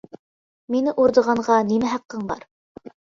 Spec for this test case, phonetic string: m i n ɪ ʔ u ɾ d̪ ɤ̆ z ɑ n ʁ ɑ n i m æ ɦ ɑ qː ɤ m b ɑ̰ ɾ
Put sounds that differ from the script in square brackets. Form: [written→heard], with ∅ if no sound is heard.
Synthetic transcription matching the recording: m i n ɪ ʔ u ɾ d̪ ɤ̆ [z→ʁ] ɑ [n→ɴ] ʁ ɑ n i m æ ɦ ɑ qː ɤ [m→ɴ] b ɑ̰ ɾ